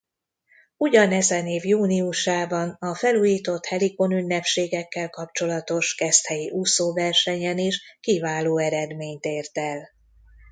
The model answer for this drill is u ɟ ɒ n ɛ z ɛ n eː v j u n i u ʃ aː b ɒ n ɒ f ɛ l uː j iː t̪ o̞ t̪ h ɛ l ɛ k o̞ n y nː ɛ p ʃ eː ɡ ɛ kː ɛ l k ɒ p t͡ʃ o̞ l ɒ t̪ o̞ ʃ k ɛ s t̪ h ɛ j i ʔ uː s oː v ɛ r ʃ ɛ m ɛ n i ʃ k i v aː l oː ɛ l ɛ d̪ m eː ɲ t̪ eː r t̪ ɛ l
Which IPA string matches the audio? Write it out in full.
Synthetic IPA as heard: u ɟ ɒ n ɛ z ɛ n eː v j uː n i u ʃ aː b ɒ n ɒ f ɛ l uː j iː t̪ o̞ t̪ h ɛ l i k o̞ n y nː ɛ p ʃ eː ɡ ɛ kː ɛ l k ɒ p t͡ʃ o̞ l ɒ t̪ o̞ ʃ k ɛ s t̪ h ɛ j i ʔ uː s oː v ɛ r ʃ ɛ ɲ ɛ n i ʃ k i v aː l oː ɛ ɾ ɛ d̪ m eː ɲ t̪ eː r t̪ ɛ l